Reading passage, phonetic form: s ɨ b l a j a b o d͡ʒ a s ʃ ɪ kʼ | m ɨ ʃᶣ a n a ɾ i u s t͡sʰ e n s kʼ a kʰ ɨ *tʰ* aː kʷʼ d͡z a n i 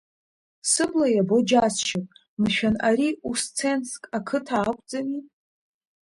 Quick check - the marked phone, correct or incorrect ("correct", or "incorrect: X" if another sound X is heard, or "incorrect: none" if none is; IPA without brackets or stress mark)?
correct